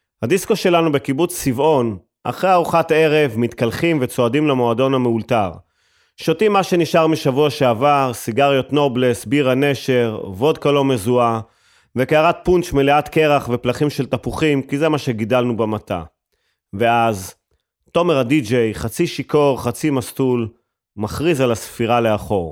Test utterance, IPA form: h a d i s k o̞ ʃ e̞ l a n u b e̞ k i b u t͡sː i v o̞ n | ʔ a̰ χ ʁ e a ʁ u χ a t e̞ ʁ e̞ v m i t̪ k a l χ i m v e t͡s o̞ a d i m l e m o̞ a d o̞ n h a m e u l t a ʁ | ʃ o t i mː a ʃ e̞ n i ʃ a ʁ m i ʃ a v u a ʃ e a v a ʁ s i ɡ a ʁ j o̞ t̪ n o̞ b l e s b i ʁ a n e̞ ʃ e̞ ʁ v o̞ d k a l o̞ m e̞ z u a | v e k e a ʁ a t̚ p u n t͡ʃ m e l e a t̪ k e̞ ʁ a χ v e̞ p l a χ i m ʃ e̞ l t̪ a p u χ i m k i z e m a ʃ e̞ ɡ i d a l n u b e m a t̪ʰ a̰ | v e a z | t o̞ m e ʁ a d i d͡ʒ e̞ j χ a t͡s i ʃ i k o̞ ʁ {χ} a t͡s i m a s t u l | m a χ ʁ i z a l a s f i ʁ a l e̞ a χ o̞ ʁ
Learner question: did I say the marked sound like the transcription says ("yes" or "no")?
yes